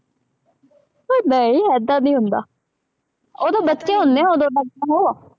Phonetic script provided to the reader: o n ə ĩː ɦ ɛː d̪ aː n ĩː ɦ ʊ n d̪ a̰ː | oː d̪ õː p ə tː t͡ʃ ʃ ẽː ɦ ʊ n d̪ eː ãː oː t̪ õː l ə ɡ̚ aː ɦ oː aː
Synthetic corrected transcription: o n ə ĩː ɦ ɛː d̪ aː n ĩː ɦ ʊ n d̪ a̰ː | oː d̪ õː b ə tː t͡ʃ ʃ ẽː ɦ ʊ n d̪ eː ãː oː d̪ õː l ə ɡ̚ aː ɦ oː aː